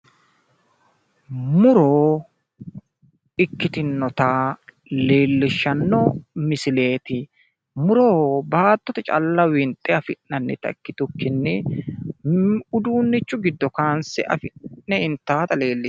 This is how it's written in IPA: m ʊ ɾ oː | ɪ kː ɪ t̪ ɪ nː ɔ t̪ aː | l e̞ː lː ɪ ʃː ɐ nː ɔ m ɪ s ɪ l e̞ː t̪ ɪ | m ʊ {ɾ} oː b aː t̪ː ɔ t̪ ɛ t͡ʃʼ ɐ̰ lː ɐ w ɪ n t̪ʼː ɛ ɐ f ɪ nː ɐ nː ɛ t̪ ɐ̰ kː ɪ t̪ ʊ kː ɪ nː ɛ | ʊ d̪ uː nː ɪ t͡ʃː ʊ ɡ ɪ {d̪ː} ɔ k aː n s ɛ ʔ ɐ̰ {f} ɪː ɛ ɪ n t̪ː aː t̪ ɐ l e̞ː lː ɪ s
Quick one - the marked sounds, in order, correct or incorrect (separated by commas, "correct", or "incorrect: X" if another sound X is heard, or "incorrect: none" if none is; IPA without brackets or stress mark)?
correct, correct, correct